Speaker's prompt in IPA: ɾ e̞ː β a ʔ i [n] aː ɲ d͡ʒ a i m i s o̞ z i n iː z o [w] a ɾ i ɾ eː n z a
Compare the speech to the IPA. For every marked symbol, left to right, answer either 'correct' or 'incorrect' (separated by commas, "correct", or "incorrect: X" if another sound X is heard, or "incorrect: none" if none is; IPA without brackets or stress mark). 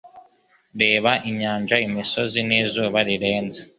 incorrect: ɲ, incorrect: β